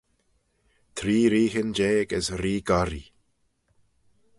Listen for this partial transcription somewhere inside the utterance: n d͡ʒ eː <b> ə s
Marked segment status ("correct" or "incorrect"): incorrect